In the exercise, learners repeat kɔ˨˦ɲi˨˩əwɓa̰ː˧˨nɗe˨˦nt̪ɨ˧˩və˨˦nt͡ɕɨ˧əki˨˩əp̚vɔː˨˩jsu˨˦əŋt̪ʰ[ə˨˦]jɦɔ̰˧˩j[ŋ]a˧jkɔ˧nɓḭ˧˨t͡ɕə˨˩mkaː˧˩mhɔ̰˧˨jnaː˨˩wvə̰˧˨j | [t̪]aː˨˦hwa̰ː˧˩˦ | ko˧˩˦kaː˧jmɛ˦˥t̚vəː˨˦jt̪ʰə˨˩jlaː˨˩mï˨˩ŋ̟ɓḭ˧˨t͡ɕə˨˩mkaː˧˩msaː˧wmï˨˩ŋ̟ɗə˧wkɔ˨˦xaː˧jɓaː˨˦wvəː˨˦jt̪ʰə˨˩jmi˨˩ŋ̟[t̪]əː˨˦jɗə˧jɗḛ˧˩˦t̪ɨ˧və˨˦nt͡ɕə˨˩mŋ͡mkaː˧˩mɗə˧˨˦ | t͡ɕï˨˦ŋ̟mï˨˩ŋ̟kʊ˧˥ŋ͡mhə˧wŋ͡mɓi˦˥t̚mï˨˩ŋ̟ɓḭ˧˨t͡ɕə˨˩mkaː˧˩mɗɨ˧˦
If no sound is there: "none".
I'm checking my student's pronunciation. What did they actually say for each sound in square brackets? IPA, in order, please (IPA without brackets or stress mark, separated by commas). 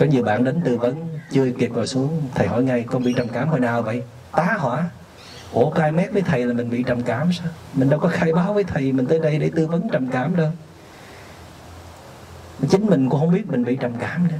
ə˨˩, ŋ, t̪, t̪